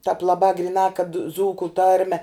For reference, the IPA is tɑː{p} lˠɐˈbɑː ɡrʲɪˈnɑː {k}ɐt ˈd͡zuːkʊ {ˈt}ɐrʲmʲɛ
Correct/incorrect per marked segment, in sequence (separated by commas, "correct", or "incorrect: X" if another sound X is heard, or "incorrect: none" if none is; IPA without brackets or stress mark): correct, correct, correct